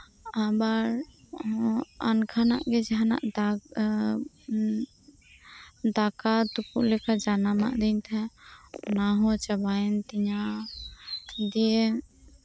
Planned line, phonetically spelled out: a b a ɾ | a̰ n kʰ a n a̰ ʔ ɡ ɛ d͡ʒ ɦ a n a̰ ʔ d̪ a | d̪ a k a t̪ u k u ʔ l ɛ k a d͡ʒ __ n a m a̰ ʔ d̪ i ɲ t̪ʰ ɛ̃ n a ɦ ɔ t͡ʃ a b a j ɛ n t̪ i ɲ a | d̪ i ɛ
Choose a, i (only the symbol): a